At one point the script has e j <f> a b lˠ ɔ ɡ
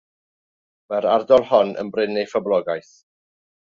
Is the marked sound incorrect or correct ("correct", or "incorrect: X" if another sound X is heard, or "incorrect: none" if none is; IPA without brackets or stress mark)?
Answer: correct